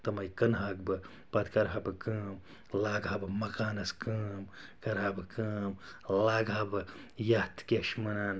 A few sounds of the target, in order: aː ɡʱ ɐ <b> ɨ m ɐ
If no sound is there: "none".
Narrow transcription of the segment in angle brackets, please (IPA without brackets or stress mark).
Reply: b